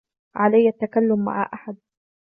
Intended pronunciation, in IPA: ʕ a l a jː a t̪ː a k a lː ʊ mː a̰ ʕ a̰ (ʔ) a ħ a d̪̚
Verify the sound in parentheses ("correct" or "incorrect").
correct